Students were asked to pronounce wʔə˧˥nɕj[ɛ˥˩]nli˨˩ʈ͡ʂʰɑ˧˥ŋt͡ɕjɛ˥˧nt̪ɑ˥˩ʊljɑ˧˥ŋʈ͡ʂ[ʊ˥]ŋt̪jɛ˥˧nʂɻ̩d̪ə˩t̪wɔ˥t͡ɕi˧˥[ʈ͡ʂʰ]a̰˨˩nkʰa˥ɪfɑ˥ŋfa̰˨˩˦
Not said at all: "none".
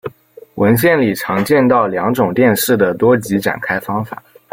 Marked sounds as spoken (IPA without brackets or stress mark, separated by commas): ɛ˥˩, ʊ˨˩, ʈ͡ʂ